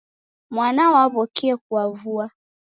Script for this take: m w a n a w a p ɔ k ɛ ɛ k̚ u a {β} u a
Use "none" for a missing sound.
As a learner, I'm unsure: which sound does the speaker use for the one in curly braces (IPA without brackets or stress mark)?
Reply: v